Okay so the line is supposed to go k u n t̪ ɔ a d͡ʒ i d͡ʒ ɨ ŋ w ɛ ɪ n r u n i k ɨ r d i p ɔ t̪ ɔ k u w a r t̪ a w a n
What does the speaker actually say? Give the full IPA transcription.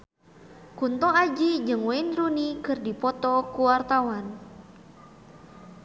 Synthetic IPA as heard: k u n t̪ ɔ a d͡ʒ i d͡ʒ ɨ ŋ w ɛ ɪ n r u n i k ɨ r d i p ɔ t̪ ɔ k u w a r t̪ a w a n